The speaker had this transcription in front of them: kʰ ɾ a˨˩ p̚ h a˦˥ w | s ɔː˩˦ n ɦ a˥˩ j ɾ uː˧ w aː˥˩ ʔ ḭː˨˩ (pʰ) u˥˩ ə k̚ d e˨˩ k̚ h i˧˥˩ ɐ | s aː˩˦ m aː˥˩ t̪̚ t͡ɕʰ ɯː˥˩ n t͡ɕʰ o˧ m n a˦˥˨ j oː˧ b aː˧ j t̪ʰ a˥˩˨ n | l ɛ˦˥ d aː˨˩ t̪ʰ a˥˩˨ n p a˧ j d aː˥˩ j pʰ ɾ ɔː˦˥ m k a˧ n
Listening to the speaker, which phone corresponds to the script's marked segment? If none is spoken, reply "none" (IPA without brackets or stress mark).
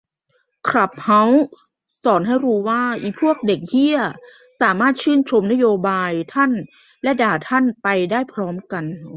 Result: pʰ